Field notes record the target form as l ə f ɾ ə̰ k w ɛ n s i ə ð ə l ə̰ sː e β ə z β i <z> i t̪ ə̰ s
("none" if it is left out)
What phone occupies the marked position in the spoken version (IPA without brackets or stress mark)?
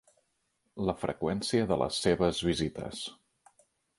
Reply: z